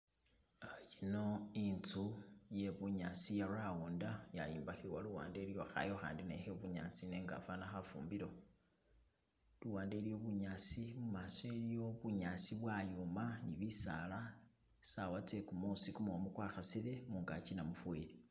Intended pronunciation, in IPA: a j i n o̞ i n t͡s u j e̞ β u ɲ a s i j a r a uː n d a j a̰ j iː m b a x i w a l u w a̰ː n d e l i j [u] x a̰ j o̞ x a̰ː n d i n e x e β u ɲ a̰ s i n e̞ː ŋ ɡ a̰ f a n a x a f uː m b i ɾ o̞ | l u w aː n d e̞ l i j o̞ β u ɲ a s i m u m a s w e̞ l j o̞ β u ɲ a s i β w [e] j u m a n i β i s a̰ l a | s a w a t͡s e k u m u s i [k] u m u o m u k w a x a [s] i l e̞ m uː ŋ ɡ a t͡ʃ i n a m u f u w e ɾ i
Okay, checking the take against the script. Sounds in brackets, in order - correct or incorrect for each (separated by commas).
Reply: incorrect, incorrect, correct, correct